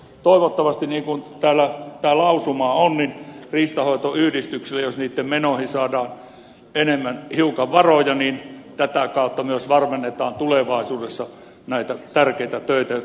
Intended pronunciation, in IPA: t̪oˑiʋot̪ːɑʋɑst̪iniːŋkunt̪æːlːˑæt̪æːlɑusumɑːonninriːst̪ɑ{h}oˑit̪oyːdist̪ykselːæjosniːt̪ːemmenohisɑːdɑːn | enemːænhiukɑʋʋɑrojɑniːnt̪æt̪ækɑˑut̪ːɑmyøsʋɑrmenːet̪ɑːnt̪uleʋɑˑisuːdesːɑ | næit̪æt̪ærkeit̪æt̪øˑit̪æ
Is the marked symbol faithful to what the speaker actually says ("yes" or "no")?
yes